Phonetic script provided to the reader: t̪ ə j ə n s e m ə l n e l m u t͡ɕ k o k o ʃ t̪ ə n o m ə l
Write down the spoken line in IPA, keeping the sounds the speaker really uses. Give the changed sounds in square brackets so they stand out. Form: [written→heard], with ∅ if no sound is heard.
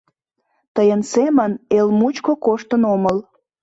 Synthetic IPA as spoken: t̪ ə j ə n s e m ə [l→∅] n e l m u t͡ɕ k o k o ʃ t̪ ə n o m ə l